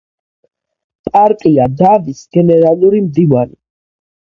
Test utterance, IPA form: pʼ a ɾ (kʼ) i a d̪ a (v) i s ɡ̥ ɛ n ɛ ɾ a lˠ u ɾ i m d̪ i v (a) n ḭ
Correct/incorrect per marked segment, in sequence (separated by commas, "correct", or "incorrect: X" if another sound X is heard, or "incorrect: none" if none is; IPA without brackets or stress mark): correct, correct, correct